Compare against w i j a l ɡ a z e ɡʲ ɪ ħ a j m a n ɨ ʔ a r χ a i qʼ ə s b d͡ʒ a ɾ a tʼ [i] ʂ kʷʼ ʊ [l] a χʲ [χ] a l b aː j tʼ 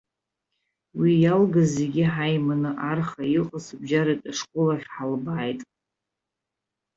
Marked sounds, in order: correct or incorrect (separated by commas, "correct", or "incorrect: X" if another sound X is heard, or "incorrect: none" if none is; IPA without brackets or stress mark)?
incorrect: a, correct, incorrect: ħ